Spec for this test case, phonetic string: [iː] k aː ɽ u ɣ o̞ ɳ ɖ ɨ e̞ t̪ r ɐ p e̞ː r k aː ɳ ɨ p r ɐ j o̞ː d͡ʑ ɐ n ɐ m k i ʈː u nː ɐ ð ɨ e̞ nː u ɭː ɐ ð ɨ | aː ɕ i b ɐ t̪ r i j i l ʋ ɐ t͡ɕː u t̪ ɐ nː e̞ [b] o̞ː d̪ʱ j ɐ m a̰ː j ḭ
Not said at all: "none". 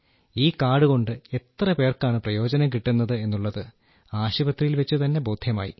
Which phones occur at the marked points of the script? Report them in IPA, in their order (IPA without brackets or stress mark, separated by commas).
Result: iː, b